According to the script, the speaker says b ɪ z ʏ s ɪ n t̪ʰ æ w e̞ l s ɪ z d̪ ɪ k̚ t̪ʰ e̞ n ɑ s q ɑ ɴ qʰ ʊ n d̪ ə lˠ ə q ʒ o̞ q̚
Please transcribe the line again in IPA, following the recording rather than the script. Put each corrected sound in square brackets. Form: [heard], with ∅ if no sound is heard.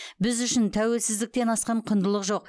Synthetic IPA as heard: b ɪ z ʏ [ʃ] ɪ n t̪ʰ æ w e̞ l s ɪ z d̪ ɪ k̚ [t̪] e̞ n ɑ s q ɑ ɴ qʰ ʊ n d̪ ə lˠ ə q ʒ o̞ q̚